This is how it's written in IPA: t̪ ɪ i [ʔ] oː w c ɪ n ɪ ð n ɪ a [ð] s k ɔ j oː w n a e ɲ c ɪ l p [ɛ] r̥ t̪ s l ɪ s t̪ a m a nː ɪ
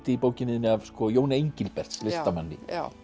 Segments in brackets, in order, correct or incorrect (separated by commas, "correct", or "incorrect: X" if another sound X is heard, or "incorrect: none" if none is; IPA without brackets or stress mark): incorrect: p, incorrect: v, correct